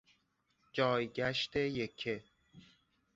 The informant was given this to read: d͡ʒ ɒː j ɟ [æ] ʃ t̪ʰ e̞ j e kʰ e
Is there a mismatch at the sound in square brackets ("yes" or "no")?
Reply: no